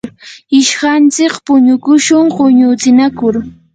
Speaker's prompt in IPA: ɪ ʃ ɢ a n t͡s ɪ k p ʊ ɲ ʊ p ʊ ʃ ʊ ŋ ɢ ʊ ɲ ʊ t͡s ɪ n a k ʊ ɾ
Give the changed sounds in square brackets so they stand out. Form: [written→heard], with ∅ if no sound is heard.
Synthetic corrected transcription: ɪ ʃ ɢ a n t͡s ɪ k p ʊ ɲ ʊ [p→k] ʊ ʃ ʊ ŋ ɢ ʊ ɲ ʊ t͡s ɪ n a k ʊ ɾ